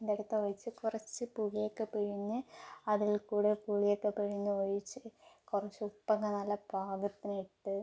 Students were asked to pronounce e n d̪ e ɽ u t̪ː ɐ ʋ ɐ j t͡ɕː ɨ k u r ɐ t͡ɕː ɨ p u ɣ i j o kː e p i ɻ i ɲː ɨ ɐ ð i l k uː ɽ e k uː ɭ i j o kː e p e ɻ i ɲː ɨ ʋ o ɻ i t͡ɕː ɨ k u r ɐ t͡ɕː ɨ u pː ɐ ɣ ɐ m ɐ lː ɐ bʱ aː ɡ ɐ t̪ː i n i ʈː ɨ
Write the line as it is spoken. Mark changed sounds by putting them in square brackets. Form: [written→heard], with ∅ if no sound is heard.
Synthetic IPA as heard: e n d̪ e ɽ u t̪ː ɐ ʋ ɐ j t͡ɕː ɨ k u r ɐ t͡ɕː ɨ p u ɣ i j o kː e p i ɻ i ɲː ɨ ɐ ð i l k uː ɽ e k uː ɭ i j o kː e p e ɻ i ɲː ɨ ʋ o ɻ i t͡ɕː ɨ k u r ɐ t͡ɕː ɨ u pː ɐ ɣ ɐ [m→n] ɐ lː ɐ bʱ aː ɡ ɐ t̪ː i n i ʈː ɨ